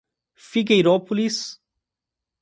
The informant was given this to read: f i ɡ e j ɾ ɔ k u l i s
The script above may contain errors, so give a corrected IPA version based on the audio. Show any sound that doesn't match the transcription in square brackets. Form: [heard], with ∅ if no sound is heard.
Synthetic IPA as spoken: f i ɡ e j ɾ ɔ [p] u l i s